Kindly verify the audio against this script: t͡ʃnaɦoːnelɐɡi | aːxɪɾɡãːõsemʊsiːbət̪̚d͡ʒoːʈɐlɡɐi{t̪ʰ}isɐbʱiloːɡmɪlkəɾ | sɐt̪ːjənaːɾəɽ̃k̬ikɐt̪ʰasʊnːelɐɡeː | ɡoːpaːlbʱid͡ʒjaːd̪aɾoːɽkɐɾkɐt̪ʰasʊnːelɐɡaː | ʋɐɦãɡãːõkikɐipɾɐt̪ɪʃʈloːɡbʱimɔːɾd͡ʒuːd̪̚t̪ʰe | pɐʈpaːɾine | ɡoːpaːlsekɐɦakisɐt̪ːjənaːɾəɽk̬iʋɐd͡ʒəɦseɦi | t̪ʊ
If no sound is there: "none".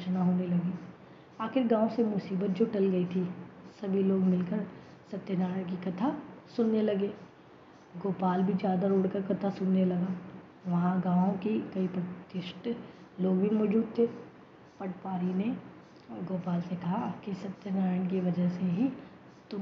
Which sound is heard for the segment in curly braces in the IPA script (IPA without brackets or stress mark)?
t̪ʰ